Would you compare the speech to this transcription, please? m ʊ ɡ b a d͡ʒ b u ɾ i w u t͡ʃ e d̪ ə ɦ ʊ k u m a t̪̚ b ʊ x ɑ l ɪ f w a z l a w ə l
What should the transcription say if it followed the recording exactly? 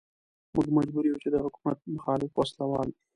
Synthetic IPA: m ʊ ɡ m a d͡ʒ b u ɾ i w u t͡ʃ e d̪ ə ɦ ʊ k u m a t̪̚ m ʊ x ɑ l ɪ f w a s l a w ɑ l